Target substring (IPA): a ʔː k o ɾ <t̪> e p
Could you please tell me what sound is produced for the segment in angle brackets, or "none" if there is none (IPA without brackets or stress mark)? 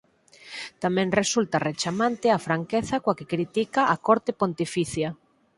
t̪